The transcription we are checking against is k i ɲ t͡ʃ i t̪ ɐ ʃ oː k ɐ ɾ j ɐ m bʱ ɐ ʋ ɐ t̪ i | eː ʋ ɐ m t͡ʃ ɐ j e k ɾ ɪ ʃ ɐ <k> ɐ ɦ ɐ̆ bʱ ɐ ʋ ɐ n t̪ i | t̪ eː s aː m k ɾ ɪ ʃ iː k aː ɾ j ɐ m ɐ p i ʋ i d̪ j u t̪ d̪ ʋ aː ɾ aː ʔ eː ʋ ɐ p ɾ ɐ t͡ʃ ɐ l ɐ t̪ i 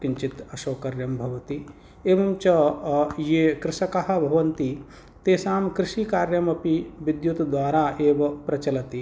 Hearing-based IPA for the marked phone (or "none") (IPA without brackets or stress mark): k